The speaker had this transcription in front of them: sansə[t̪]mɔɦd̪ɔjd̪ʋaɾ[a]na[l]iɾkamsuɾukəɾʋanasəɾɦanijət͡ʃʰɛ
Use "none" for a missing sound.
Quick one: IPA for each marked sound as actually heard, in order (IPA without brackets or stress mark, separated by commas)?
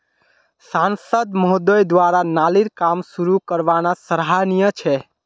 d̪, a, l